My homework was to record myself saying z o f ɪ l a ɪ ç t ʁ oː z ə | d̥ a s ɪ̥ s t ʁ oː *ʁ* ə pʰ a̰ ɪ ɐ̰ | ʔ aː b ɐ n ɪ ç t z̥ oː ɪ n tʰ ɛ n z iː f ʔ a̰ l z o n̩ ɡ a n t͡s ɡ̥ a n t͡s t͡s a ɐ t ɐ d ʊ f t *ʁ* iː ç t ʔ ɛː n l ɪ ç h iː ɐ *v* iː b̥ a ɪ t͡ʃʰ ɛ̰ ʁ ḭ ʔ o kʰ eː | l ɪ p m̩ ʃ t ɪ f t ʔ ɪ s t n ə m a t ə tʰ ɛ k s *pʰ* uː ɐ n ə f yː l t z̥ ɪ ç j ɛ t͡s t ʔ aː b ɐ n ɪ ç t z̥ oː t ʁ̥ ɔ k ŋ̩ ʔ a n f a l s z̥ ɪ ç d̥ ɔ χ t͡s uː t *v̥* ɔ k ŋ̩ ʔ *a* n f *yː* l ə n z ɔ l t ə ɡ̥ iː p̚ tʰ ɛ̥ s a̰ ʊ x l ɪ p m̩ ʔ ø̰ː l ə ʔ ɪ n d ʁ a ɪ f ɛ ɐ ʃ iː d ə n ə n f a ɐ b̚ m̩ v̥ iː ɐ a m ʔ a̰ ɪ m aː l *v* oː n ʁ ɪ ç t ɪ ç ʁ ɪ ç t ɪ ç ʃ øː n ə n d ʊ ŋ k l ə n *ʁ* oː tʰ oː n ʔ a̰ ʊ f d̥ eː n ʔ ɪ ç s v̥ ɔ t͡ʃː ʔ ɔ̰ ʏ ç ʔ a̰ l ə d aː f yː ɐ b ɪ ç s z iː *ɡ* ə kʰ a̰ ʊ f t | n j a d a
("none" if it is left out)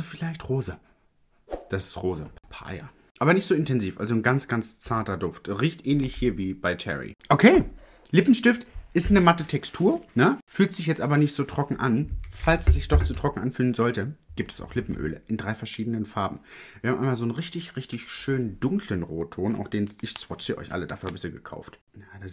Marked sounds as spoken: z, ʁ, v, tʰ, ʁ̥, a, yː, z, ʁ, ɡ

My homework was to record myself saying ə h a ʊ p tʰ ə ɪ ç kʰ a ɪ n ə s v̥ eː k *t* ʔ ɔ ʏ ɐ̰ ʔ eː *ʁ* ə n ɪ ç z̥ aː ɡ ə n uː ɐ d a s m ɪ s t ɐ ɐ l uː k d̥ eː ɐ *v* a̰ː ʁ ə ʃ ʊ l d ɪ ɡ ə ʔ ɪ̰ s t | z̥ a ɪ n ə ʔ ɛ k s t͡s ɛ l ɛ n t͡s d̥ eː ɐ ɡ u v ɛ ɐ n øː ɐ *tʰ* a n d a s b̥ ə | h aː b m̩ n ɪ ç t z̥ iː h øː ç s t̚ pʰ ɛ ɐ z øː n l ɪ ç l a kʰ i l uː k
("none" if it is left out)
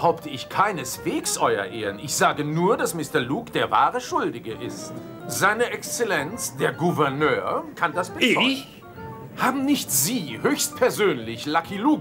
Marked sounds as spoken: s, ʁ, v, kʰ

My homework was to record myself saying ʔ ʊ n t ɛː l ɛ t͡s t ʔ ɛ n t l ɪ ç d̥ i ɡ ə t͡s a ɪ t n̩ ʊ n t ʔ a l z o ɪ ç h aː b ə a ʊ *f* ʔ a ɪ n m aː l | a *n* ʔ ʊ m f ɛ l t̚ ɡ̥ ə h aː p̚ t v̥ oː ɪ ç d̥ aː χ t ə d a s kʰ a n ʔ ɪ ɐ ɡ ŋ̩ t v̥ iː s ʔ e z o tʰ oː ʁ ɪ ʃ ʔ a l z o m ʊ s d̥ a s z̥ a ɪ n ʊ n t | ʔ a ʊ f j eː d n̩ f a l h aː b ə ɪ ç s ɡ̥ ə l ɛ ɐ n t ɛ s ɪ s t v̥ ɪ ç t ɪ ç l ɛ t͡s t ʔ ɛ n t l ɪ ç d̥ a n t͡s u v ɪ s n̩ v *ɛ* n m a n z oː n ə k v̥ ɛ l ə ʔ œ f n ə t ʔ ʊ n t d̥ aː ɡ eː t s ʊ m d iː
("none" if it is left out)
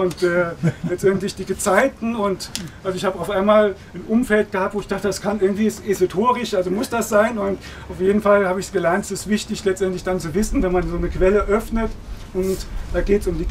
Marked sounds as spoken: f, n, ɛ

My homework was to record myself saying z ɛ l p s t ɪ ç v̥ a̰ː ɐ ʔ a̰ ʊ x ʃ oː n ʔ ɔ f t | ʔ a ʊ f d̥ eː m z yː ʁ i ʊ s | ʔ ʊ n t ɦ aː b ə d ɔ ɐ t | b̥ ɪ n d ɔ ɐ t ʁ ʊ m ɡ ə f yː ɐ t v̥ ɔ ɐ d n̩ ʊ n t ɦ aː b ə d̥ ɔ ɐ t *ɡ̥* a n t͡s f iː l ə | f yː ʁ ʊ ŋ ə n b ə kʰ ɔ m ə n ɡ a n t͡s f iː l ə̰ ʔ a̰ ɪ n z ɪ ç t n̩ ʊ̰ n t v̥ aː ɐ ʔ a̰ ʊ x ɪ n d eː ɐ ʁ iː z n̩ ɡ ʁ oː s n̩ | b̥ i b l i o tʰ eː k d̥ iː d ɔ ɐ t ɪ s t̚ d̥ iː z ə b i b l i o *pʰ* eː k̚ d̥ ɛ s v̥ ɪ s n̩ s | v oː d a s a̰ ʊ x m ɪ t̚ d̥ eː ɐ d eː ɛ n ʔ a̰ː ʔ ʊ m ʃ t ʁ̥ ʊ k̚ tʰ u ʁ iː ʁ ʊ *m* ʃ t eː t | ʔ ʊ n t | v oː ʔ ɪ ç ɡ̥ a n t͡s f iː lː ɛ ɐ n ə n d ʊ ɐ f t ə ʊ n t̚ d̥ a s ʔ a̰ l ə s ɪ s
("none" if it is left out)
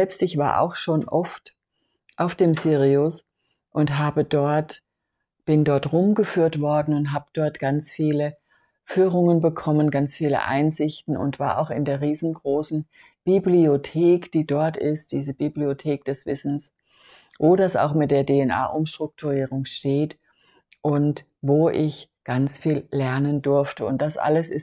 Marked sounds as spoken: ɡ̥, tʰ, ŋ

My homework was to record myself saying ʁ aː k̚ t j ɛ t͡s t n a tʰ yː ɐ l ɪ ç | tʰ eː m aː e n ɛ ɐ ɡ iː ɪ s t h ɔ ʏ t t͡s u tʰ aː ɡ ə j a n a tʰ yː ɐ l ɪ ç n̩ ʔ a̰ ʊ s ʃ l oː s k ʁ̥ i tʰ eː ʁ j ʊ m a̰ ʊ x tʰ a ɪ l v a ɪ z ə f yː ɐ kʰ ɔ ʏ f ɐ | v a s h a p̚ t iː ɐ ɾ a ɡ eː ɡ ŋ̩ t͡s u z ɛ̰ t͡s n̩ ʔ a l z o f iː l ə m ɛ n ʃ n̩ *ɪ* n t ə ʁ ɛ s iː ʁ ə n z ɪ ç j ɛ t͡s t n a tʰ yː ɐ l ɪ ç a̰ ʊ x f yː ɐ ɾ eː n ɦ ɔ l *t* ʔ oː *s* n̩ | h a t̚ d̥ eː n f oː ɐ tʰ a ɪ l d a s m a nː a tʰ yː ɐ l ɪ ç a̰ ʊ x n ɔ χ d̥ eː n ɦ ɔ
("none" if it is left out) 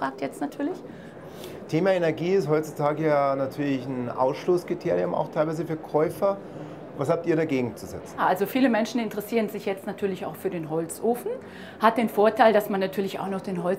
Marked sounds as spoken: ɪ, t͡s, f

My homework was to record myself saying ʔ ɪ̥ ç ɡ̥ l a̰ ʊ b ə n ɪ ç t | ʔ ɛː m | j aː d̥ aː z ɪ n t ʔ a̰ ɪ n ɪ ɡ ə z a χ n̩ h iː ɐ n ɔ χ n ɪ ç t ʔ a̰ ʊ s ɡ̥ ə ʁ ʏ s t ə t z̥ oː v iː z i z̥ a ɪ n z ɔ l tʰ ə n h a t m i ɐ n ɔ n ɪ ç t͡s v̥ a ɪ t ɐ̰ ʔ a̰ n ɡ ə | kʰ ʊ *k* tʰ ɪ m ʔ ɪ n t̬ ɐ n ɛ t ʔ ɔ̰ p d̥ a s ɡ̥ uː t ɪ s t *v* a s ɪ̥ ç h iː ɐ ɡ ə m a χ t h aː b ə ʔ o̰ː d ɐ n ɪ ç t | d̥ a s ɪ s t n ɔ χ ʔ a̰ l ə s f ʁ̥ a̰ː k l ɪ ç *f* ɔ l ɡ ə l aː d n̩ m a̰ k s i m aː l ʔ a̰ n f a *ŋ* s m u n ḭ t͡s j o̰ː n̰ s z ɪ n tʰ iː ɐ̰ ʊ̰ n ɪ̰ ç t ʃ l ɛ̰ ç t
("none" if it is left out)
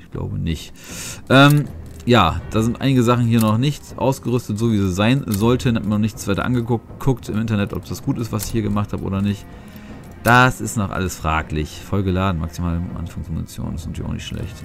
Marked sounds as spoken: k, v, f, ŋ

